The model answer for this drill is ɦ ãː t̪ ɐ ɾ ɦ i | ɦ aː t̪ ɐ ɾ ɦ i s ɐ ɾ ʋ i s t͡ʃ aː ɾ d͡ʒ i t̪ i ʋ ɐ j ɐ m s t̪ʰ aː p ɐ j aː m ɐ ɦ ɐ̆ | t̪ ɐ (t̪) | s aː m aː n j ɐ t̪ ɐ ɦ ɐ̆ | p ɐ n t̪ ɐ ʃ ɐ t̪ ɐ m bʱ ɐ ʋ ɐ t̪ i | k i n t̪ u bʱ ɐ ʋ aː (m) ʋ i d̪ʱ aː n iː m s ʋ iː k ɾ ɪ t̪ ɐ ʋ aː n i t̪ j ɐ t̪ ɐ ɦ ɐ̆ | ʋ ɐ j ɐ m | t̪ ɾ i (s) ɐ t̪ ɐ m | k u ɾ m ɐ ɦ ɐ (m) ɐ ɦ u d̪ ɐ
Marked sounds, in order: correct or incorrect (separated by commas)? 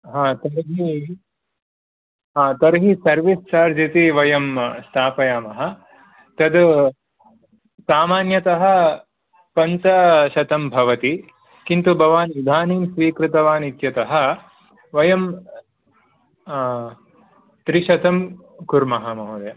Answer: incorrect, incorrect, incorrect, correct